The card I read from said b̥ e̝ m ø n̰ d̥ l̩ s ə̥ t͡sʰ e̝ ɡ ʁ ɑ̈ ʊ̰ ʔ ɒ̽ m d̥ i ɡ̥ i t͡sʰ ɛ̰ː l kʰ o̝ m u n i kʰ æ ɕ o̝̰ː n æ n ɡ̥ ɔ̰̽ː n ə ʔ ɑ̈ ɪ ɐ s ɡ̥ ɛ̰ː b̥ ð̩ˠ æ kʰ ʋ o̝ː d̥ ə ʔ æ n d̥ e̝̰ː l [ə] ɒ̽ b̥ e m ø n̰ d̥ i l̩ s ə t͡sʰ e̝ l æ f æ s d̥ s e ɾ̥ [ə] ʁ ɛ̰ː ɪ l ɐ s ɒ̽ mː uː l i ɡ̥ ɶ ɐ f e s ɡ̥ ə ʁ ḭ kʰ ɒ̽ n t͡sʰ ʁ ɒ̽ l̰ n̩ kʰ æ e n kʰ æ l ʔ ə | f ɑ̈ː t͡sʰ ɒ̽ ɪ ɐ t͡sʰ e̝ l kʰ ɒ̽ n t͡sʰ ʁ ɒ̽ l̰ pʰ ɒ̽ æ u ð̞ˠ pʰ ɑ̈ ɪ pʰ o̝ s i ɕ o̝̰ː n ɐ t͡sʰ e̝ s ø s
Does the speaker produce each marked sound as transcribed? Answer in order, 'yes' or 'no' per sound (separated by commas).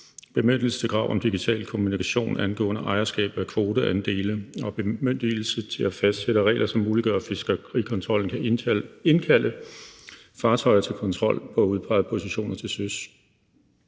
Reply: yes, yes